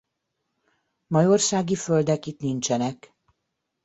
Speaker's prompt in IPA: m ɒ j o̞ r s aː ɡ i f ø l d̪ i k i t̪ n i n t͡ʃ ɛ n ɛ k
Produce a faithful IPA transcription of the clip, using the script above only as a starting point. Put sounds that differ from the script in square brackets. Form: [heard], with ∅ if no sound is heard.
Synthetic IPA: m ɒ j o̞ r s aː ɡ i f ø l d̪ [ɛ] k i t̪ n i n t͡ʃ ɛ n ɛ k